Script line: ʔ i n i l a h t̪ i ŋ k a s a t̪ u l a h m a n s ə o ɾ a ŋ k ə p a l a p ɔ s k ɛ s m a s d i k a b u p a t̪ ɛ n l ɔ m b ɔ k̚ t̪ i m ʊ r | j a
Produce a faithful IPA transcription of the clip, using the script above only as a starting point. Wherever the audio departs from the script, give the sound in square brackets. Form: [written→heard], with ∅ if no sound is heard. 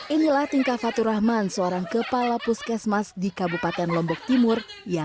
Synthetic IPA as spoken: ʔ i n i l a h t̪ i ŋ k a [s→f] a t̪ u [l→ɾ] a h m a n s ə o ɾ a ŋ k ə p a l a p [ɔ→u] s k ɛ s m a s d i k a b u p a t̪ ɛ n l ɔ m b ɔ k̚ t̪ i m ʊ r | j a